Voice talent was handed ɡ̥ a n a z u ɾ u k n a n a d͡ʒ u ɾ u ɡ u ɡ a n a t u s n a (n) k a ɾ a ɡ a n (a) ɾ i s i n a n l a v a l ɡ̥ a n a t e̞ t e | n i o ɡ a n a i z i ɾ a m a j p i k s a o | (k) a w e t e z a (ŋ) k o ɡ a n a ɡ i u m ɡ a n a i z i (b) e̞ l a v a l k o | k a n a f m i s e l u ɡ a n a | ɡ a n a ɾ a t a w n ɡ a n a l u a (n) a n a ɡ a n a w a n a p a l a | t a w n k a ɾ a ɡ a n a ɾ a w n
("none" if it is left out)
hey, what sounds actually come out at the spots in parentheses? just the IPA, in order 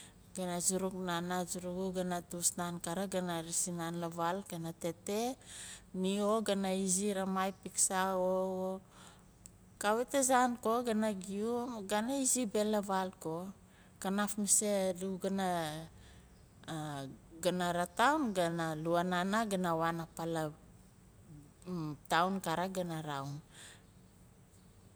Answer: n, a, k, n, b, n

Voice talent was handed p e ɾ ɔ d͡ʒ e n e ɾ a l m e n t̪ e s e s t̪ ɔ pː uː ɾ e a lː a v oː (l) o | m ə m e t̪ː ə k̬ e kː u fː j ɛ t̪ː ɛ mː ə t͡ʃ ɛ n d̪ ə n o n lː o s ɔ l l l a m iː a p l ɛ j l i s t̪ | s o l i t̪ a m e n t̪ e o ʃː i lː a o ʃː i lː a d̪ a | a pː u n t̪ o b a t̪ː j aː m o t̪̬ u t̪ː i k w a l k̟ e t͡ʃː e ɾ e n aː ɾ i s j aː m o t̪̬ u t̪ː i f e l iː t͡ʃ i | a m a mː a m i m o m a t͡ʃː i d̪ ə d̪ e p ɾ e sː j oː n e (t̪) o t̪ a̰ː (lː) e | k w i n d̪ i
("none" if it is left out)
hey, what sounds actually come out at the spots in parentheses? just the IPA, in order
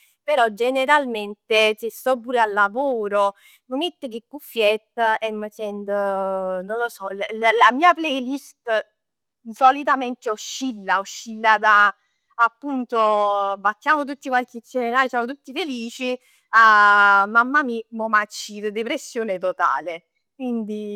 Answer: ɾ, t̪, l

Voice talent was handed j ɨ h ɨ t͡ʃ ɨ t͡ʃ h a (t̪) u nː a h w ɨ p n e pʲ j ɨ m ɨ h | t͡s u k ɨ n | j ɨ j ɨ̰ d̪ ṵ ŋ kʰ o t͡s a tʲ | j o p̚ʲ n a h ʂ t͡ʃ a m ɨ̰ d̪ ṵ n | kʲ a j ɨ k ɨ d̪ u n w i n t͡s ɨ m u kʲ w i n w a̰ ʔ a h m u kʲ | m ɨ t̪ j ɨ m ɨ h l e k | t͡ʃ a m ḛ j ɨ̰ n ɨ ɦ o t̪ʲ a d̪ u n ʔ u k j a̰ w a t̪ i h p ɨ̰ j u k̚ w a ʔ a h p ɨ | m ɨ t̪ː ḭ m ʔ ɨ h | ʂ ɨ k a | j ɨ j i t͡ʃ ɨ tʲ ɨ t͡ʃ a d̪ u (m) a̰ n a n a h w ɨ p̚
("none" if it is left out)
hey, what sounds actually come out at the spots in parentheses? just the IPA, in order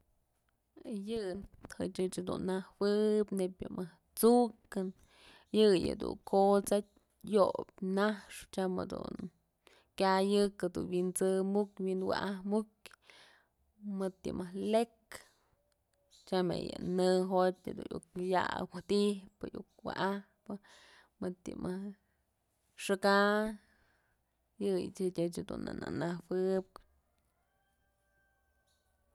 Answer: d̪, n

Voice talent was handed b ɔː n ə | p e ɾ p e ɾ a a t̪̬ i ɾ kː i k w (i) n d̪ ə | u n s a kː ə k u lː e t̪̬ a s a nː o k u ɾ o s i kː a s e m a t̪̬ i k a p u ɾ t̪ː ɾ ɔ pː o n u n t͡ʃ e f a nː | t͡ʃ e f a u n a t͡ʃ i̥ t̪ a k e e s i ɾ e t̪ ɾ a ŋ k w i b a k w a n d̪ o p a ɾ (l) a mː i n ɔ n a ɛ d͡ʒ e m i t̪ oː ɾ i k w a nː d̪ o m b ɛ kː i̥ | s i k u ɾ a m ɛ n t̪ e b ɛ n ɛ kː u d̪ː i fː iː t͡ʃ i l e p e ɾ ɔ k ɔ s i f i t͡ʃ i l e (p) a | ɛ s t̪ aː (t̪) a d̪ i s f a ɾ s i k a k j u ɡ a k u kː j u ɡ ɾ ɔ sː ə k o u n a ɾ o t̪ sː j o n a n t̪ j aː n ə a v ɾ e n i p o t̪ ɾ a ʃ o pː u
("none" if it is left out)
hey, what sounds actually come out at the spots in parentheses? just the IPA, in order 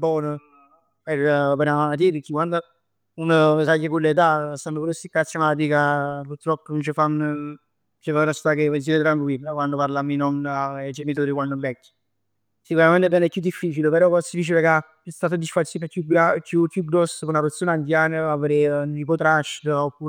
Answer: a, l, k, t̪

